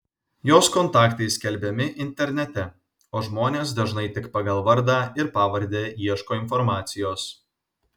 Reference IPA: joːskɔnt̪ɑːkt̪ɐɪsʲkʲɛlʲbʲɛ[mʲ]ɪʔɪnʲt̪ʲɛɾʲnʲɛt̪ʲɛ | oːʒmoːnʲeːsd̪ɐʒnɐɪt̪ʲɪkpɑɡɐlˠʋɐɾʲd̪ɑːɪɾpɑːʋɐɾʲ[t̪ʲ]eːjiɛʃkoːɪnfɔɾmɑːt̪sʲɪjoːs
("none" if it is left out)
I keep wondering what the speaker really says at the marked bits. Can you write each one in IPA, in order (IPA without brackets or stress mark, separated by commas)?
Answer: mʲ, d̪ʲ